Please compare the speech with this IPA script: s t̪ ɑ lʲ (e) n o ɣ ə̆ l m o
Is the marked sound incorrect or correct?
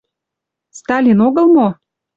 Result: incorrect